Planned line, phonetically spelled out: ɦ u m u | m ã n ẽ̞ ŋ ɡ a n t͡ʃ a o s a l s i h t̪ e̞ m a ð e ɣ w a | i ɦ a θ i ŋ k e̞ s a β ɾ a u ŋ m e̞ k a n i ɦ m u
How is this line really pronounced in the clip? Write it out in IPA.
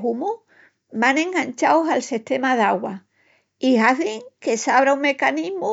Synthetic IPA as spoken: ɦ u m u | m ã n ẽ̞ ŋ ɡ a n t͡ʃ a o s a l s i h t̪ e̞ m a ð a ɣ w a | i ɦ a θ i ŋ k e̞ s a β ɾ a u ŋ m e̞ k a n i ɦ m u

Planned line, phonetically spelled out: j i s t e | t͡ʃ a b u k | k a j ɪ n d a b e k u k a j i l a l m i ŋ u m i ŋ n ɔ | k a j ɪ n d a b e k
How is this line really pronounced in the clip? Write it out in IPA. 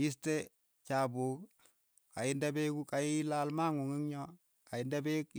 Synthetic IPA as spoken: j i s t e | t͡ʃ a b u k | k a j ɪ n d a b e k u k a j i l a l m a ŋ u ŋ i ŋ ɲ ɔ | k a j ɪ n d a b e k

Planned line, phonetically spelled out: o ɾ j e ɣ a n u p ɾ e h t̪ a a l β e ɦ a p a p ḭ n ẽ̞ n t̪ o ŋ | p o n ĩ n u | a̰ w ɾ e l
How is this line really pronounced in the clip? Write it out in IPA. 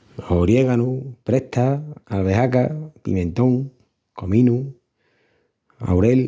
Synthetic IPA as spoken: o ɾ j e ɣ a n u p ɾ e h t̪ a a l β e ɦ a k a p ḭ m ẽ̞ n t̪ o ŋ | k o m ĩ n u | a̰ w ɾ e l

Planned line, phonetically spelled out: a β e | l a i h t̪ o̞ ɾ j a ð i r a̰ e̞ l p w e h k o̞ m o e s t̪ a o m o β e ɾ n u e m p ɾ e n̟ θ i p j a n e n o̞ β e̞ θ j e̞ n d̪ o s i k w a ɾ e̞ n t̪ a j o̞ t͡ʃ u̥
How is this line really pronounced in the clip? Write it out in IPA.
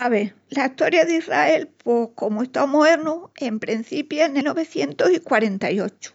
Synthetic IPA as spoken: a β e | l a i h t̪ o̞ ɾ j a ð i r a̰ e̞ l p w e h k o̞ m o e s t̪ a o m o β e ɾ n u e m p ɾ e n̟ θ i p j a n e n o̞ β e̞ θ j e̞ n t̪ o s i k w a ɾ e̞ n t̪ a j o̞ t͡ʃ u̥

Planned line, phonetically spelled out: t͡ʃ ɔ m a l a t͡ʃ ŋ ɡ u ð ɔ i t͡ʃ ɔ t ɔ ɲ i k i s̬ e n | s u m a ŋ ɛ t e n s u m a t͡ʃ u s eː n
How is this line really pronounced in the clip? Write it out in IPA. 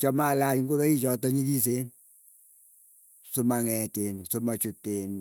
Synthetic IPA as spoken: t͡ʃ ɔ m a l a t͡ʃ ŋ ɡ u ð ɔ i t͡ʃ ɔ t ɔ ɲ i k i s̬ e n | s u m a ŋ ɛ t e n s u m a t͡ʃ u t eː n

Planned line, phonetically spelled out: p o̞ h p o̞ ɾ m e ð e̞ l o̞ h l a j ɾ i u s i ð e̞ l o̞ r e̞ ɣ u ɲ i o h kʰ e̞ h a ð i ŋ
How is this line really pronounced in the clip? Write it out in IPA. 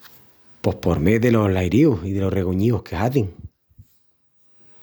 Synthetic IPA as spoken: p o̞ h p o̞ ɾ m e ð e̞ l o̞ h l a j ɾ i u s i ð e̞ l o̞ r e̞ ɣ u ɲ i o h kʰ e̞ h a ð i ŋ

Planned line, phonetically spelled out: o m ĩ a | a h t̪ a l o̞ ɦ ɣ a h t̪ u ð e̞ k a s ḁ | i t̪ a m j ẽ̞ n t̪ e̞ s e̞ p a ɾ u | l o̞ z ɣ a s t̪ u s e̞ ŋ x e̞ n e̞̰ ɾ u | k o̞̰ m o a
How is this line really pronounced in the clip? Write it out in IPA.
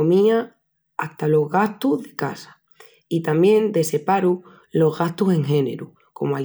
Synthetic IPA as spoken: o m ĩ a | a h t̪ a l o̞ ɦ ɣ a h t̪ u ð e̞ k a s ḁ | i t̪ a m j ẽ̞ n d̪ e̞ s e̞ p a ɾ u | l o̞ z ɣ a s t̪ u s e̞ ŋ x e̞ n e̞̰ ɾ u | k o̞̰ m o a

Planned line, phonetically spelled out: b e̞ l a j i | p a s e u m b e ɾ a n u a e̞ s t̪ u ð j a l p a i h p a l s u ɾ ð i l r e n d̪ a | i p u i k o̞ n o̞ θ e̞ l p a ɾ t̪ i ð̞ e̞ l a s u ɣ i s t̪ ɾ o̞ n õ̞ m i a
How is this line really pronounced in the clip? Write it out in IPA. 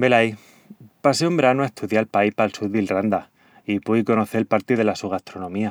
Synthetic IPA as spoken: b e̞ l a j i | p a s e u m b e ɾ a n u a e̞ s t̪ u ð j a l p a i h p a l s u ɾ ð i l r a n d̪ a | i p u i k o̞ n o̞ θ e̞ l p a ɾ t̪ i ð̞ e̞ l a s u ɣ a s t̪ ɾ o̞ n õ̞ m i a

